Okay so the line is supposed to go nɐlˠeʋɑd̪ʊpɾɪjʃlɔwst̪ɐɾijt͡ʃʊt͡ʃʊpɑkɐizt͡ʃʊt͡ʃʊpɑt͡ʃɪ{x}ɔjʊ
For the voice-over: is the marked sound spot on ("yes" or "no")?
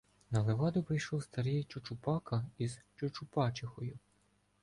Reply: yes